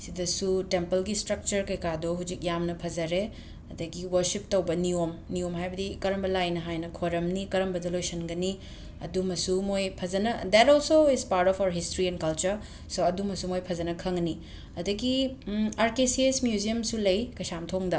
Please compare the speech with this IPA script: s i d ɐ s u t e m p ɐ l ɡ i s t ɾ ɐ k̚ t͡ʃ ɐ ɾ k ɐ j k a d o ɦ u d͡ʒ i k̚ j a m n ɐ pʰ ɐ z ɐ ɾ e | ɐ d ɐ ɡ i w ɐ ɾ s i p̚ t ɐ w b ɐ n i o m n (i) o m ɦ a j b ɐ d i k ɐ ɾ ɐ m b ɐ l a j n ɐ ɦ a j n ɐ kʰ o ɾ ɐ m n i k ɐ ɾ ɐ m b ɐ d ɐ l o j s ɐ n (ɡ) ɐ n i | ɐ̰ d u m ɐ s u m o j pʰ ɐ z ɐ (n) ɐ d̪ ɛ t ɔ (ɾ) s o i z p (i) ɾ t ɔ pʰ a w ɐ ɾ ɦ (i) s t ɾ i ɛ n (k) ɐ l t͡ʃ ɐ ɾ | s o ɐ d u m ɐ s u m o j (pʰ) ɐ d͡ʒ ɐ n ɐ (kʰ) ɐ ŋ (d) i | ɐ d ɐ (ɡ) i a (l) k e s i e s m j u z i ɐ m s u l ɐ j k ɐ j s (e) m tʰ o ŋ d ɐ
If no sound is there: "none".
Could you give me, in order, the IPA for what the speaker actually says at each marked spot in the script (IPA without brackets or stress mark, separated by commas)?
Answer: i, ɡ, n, l, a, i, k, pʰ, kʰ, n, ɡ, ɾ, a